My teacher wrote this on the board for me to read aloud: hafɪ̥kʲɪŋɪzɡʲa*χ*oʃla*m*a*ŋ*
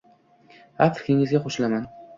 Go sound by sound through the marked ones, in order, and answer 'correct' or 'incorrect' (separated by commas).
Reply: correct, correct, incorrect